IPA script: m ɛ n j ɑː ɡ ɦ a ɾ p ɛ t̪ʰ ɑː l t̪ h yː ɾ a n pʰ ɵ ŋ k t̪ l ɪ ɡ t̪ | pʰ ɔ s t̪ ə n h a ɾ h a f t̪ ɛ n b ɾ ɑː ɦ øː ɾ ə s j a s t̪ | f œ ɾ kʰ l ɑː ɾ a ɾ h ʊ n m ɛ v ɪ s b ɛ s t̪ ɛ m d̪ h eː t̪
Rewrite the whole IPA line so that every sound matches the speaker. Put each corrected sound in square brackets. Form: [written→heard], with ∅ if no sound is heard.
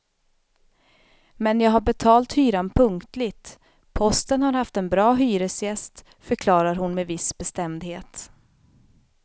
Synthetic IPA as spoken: m ɛ n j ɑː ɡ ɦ a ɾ [p→b] ɛ t̪ʰ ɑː l t̪ h yː ɾ a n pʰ ɵ ŋ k t̪ l ɪ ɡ t̪ | pʰ ɔ s t̪ ə n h a ɾ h a f t̪ ɛ n b ɾ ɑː ɦ [øː→yː] ɾ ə s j [a→ɛ] s t̪ | f œ ɾ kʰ l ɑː ɾ a ɾ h ʊ n m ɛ v ɪ s b ɛ s t̪ ɛ m d̪ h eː t̪